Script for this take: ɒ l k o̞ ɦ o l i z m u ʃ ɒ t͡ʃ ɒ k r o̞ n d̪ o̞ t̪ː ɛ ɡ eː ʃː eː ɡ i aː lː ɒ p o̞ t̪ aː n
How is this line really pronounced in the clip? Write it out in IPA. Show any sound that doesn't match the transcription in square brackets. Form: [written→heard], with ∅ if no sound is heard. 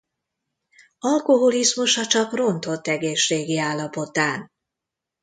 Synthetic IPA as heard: ɒ l k o̞ ɦ o l i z m u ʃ ɒ t͡ʃ ɒ k r o̞ n [d̪→t̪] o̞ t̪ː ɛ ɡ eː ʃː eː ɡ i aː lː ɒ p o̞ t̪ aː n